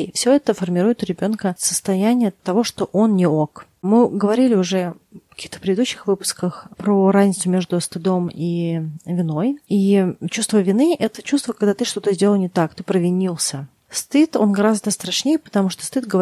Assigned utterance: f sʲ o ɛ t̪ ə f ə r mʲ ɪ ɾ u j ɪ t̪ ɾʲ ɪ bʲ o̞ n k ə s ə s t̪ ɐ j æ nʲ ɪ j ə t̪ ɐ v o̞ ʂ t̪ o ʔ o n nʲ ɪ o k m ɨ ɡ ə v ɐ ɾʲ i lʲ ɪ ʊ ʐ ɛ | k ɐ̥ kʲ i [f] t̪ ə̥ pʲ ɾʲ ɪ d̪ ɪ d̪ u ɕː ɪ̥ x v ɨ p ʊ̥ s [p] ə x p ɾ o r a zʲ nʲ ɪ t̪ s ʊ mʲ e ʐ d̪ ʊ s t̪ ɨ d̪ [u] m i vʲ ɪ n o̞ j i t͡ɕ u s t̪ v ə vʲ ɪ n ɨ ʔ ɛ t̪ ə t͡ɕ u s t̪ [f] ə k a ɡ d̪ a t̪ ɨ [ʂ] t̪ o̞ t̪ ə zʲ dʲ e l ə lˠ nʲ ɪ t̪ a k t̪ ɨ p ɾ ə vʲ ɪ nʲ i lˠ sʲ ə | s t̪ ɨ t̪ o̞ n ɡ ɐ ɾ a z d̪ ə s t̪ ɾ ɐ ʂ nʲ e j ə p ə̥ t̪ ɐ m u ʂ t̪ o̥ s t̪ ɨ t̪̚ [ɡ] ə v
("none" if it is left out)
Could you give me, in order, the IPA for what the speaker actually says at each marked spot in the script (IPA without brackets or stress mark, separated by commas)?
x, k, o, v, ʂ, ɡ